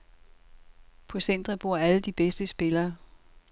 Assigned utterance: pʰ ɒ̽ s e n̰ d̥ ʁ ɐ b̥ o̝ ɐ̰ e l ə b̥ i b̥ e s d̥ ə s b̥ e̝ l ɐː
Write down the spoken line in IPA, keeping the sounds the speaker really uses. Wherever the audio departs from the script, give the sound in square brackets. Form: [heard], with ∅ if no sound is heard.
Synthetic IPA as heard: pʰ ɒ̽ s e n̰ d̥ ʁ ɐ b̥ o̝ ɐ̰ [æ] l ə [d̥] i b̥ e s d̥ ə s b̥ e̝ l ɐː